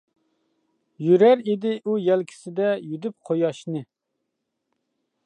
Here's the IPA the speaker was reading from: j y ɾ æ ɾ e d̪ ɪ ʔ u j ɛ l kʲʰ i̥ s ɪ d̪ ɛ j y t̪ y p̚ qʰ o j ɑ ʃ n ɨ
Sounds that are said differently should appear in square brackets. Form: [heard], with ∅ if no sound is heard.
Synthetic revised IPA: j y ɾ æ ɾ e d̪ ɪ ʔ u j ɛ l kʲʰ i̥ s ɪ d̪ ɛ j y [d̪] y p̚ qʰ o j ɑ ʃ n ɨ